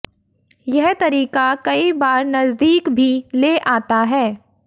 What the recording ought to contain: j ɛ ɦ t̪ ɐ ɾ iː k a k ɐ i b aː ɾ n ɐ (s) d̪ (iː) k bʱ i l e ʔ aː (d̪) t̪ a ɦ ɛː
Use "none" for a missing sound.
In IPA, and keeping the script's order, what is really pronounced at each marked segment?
z, iː, none

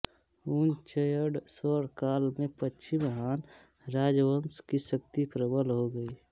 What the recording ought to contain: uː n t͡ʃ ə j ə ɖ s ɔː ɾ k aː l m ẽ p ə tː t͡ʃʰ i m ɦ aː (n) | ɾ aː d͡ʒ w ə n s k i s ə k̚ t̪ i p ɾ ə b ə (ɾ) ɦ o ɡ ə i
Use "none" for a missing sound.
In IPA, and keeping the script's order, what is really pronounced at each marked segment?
n, l

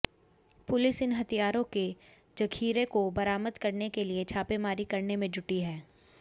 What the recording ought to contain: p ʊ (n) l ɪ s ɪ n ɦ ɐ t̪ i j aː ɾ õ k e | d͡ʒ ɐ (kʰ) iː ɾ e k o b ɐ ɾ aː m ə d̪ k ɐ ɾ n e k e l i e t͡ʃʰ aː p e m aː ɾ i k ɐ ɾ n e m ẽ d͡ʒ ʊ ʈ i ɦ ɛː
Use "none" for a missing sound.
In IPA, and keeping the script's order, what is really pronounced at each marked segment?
none, kʰ

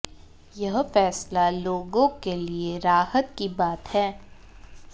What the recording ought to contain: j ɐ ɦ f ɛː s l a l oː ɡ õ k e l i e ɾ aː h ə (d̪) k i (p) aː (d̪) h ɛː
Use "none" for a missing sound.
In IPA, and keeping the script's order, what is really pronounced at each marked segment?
t̪, b, t̪

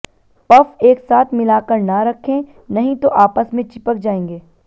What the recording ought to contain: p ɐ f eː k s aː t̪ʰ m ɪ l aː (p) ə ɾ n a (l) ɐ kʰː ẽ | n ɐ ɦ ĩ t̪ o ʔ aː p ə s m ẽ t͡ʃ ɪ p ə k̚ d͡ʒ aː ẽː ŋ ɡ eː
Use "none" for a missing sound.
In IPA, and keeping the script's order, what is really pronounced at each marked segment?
k, ɾ

